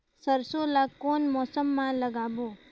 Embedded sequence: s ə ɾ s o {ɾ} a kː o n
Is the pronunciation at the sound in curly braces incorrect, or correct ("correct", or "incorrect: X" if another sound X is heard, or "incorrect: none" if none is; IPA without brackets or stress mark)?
incorrect: l